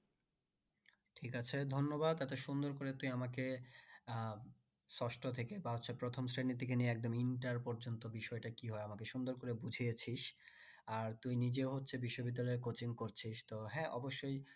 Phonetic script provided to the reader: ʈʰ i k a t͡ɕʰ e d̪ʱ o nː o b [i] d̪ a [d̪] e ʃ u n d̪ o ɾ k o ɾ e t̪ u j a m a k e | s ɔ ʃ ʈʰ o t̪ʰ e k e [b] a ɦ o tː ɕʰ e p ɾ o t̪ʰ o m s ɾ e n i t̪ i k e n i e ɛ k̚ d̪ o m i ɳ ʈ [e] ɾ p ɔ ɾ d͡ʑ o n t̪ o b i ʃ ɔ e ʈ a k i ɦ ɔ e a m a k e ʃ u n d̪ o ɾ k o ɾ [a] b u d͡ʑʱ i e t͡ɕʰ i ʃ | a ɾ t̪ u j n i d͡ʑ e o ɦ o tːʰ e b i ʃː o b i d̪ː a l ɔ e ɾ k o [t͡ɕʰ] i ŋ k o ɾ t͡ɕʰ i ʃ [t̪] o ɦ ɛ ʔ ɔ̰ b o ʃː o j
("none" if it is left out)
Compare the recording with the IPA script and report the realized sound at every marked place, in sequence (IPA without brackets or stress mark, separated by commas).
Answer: a, t̪, b, a, e, t͡ɕ, t̪